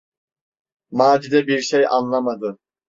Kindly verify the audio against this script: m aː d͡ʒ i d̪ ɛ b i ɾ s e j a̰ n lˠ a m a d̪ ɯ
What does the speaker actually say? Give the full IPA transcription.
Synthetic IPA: m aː d͡ʒ i d̪ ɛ b i ɾ ʃ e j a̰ n lˠ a m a d̪ ɯ